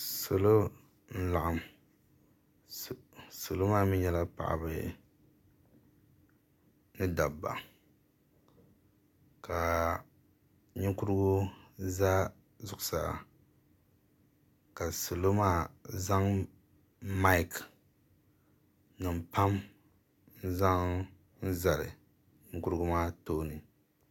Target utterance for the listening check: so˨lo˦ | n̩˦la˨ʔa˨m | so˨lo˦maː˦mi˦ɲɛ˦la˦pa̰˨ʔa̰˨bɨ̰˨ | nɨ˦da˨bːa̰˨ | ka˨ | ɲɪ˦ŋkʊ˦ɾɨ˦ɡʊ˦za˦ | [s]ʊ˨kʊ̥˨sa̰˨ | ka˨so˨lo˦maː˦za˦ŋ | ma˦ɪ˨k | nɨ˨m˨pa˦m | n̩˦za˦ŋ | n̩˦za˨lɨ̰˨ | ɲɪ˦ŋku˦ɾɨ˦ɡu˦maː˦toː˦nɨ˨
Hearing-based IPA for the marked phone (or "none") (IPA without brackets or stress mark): z